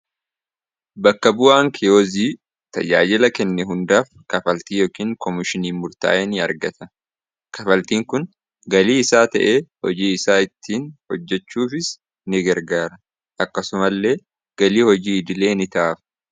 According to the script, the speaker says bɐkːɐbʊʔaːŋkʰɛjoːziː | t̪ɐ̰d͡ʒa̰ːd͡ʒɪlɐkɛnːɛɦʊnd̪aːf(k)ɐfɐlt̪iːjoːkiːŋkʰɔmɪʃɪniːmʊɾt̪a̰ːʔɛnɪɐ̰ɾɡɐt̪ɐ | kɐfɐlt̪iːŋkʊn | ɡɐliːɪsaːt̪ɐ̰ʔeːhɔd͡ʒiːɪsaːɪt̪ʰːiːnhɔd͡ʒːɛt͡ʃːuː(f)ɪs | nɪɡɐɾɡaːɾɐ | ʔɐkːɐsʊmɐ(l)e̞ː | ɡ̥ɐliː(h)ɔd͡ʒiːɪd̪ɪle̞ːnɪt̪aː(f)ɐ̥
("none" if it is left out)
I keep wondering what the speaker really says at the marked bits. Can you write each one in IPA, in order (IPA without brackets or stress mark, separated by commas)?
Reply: k, f, lː, h, f